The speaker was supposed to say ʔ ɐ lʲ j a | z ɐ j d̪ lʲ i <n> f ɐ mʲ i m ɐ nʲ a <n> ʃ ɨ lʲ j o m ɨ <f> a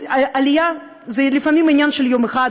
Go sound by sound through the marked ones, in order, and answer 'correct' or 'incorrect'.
incorrect: none, correct, incorrect: x

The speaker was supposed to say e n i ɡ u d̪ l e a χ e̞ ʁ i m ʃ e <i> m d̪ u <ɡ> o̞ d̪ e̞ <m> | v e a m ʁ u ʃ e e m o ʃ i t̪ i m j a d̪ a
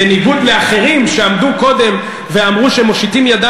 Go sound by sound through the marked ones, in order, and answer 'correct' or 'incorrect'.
incorrect: a, incorrect: k, correct

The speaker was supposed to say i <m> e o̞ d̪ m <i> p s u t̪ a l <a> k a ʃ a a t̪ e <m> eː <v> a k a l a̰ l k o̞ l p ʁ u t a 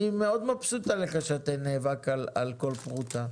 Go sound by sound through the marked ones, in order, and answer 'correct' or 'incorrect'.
correct, incorrect: a, incorrect: e, incorrect: n, correct

